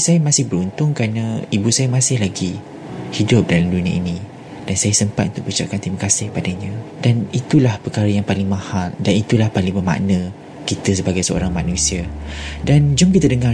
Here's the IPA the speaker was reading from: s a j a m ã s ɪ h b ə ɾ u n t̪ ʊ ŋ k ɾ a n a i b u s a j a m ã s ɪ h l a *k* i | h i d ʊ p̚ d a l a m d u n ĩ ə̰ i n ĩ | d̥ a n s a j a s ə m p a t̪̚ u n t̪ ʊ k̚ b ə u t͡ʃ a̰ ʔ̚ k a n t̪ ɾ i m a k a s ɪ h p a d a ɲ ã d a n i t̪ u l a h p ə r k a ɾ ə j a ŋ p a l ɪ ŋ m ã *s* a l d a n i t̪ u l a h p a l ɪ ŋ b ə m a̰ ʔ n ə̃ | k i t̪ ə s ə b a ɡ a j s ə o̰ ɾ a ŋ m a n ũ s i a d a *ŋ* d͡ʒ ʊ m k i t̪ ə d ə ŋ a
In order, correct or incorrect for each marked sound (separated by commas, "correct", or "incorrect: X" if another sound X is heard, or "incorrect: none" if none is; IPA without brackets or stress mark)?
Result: incorrect: ɡ, incorrect: h, incorrect: n